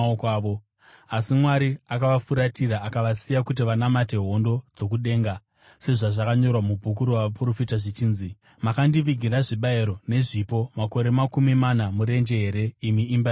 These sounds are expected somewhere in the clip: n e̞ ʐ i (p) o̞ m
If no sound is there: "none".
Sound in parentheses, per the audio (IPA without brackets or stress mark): p